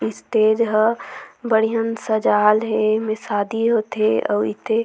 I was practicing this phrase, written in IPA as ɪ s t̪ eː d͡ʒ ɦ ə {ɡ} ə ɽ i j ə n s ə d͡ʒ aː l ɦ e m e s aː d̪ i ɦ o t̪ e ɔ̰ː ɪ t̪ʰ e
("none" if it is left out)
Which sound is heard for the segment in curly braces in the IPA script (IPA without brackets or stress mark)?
b